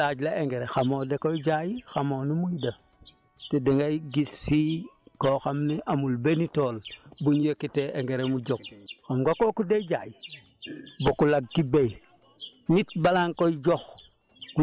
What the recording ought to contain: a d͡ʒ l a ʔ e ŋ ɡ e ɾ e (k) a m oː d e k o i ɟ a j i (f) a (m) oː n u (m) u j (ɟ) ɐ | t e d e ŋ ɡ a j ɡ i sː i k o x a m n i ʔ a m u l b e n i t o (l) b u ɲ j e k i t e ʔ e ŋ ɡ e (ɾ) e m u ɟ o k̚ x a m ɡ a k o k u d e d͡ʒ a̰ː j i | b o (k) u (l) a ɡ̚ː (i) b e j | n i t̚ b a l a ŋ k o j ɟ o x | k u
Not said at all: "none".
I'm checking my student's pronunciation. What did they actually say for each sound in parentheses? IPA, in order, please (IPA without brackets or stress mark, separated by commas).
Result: x, x, m, m, d, l, ɾ, k, l, i